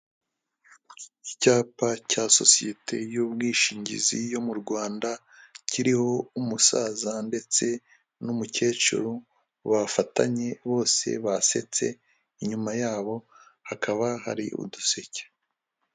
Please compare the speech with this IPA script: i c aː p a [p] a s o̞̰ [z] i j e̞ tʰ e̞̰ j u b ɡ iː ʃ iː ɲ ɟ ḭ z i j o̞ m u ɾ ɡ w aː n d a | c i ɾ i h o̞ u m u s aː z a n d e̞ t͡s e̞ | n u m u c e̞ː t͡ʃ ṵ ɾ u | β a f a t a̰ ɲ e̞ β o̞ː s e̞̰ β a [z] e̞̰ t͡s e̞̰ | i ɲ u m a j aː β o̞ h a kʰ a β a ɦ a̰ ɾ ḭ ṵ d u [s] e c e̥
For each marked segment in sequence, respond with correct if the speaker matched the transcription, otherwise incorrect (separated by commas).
incorrect, incorrect, incorrect, correct